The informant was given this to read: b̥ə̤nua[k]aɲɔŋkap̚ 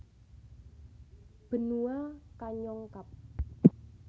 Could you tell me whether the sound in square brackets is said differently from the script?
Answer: no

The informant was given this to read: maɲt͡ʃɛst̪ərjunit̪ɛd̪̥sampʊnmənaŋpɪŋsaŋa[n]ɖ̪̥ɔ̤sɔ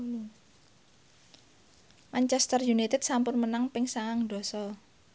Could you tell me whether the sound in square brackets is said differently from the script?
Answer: yes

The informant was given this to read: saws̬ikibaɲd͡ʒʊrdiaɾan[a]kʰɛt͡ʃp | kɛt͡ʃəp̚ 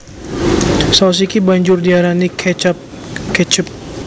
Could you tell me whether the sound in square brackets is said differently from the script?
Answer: yes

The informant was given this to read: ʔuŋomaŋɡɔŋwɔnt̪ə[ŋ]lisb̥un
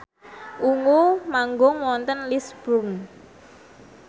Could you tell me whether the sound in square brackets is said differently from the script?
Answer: yes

